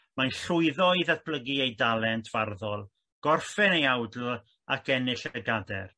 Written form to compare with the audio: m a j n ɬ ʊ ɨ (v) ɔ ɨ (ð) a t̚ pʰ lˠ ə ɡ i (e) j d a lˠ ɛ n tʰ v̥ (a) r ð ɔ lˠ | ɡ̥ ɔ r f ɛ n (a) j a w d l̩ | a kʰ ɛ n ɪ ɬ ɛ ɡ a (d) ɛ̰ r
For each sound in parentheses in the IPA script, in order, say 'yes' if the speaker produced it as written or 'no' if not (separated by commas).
no, yes, yes, yes, no, yes